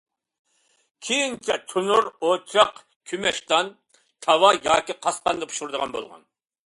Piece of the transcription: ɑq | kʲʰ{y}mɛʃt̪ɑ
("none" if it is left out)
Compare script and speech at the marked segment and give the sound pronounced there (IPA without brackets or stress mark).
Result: y